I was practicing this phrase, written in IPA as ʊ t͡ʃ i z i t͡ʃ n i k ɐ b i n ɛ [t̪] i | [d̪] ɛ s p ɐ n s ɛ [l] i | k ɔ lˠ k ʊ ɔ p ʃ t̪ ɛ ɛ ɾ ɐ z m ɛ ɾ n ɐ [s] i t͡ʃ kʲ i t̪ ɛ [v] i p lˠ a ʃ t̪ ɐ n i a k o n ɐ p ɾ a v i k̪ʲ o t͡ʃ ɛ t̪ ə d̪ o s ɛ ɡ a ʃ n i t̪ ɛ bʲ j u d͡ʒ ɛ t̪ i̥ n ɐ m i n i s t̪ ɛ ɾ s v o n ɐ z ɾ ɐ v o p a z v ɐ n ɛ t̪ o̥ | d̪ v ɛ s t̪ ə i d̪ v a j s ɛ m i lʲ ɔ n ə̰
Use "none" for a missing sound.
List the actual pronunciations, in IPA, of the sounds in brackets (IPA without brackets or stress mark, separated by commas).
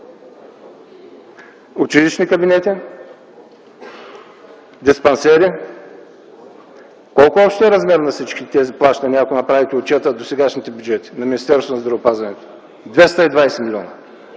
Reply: t̪, d̪, ɾ, s, z